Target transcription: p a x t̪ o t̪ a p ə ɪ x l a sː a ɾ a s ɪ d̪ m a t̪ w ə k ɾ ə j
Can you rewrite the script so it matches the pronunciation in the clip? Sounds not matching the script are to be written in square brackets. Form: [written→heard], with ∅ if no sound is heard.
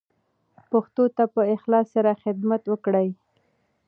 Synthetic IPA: p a x t̪ o t̪ a p ə ɪ x l [a→ɑ] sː a ɾ a [s→x] ɪ d̪ m a t̪ w ə k [ɾ→ɽ] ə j